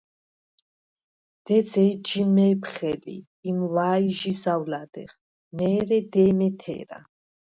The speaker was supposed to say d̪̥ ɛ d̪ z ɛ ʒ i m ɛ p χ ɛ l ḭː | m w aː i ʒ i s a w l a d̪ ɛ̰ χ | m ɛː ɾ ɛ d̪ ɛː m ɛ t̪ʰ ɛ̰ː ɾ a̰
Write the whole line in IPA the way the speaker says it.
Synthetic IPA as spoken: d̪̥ ɛ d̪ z ɛ d͡ʒ i m ɛ p χ ɛ l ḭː | m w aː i ʒ i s a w l a d̪ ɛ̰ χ | m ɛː ɾ ɛ d̪ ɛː m ɛ t̪ʰ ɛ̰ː ɾ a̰